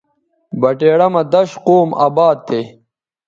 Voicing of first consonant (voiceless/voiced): voiced